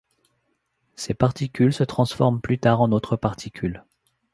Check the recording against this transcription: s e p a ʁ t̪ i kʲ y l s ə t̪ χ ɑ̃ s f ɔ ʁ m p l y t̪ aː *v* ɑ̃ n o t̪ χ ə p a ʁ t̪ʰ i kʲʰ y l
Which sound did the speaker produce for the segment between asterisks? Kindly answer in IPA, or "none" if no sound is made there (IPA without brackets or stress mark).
ʁ